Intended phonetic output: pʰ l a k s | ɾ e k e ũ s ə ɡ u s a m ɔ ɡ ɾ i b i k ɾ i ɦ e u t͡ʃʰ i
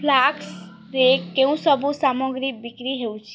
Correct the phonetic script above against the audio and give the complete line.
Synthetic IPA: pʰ l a k s | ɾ e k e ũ s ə b u s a m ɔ ɡ ɾ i b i k ɾ i ɦ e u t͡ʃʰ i

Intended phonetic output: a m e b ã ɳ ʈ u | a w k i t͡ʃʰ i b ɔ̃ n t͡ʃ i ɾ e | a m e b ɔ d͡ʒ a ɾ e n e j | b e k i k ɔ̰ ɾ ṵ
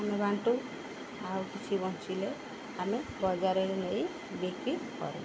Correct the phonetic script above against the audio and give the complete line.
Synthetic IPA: a m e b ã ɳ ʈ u | a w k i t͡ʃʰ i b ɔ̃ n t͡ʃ i l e | a m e b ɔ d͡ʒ a ɾ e n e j | b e k i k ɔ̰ ɾ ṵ

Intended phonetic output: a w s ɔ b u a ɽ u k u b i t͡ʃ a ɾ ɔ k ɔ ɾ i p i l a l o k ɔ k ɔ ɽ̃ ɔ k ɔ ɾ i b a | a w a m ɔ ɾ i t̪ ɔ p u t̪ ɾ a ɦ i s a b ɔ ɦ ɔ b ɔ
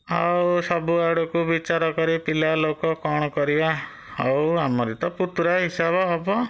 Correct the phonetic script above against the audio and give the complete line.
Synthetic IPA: a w s ɔ b u a ɽ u k u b i t͡ʃ a ɾ ɔ k ɔ ɾ i p i l a l o k ɔ k ɔ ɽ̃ ɔ k ɔ ɾ i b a | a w a m ɔ ɾ i t̪ ɔ p u t̪ ɾ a ɦ i s a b ɔ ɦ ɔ b ɔ

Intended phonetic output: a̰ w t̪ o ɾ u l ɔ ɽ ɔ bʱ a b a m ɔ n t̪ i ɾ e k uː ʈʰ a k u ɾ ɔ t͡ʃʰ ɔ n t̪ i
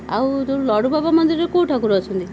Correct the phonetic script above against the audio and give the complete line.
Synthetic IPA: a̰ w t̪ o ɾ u l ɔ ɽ u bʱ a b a m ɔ n d̪ i ɾ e k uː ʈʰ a k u ɾ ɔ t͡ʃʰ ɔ n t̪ i

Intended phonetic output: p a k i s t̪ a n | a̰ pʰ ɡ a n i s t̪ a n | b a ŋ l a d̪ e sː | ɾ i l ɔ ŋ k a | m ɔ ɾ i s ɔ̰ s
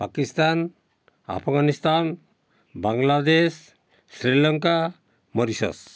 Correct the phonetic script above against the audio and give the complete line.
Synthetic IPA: p a k i s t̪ a n | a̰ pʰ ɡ a n i s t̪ a n | b a ŋ l a d̪ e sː | ɾ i l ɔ ŋ k a | m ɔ ɾ i s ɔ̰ s

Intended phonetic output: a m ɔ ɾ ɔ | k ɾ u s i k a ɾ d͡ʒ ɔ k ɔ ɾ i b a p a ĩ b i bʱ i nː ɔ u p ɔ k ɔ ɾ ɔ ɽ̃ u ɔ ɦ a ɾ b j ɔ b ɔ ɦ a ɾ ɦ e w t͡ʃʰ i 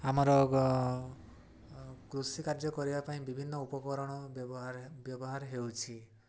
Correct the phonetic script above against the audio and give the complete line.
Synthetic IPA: a m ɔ ɾ ɔ | k ɾ u s i k a ɾ d͡ʒ ɔ k ɔ ɾ i b a p a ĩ b i bʱ i nː ɔ u p ɔ k ɔ ɾ ɔ ɽ̃ ɔ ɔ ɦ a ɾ b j ɔ b ɔ ɦ a ɾ ɦ e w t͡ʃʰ i

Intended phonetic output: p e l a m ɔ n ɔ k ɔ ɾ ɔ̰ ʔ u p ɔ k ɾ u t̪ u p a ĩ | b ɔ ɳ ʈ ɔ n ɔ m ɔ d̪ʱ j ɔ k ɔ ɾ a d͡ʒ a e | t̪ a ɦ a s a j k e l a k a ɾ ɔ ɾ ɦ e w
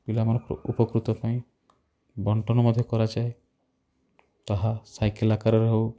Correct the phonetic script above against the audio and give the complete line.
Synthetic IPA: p i l a m ɔ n ɔ k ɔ ɾ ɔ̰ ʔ u p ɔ k ɾ u t̪ ɔ p a ĩ | b ɔ ɳ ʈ ɔ n ɔ m ɔ d̪ʱ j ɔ k ɔ ɾ a d͡ʒ a e | t̪ a ɦ a s a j k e l a k a ɾ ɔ ɾ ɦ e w

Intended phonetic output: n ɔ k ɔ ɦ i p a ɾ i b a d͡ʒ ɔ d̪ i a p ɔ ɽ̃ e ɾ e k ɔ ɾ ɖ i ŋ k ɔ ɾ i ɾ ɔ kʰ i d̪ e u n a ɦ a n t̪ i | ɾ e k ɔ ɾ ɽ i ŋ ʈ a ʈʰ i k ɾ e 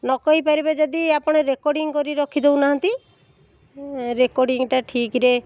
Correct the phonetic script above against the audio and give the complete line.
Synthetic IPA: n ɔ k ɔ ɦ i p a ɾ i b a d͡ʒ ɔ d̪ i a p ɔ ɽ̃ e ɾ e k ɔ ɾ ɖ i ŋ k ɔ ɾ i ɾ ɔ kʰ i d̪ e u n a ɦ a n t̪ i | ɾ e k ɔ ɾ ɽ i ŋ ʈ a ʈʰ i k ɾ e

